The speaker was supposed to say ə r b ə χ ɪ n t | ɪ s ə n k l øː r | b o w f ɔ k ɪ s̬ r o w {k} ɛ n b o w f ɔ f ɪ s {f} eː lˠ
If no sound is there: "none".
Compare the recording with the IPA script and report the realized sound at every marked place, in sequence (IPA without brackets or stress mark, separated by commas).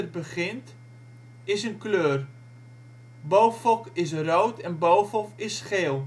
t, χ